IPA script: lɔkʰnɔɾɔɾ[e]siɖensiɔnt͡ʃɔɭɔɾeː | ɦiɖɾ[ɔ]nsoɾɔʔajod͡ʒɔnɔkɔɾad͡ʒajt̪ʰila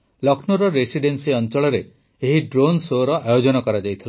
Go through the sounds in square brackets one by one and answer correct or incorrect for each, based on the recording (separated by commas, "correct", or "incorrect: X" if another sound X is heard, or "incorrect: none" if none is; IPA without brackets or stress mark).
correct, incorrect: o